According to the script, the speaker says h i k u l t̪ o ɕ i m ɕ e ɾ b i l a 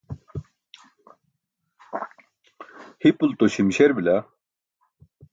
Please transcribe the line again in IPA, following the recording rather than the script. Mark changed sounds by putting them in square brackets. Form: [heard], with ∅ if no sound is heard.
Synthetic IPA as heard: h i [p] u l t̪ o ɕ i m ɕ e ɾ b i l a